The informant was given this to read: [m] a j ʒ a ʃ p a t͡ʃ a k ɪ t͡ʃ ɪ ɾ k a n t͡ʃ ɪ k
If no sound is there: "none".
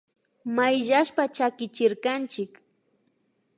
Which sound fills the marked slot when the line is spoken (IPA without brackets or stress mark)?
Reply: m